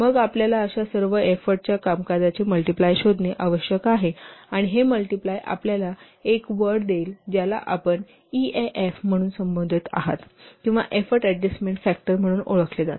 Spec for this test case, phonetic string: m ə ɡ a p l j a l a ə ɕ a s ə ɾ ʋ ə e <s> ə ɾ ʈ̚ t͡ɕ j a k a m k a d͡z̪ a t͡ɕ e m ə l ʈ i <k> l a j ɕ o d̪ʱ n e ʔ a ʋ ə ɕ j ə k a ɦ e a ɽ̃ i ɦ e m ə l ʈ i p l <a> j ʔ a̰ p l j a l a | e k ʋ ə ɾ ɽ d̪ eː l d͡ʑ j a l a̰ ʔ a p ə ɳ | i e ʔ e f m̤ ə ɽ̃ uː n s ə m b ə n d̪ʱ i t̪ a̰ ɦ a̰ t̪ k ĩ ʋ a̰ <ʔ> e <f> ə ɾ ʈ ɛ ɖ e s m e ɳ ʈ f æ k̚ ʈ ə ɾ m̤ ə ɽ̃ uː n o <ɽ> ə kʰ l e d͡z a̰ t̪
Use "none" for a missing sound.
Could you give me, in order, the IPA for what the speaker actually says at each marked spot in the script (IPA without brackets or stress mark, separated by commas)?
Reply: f, p, a, ʔ, f, ɭ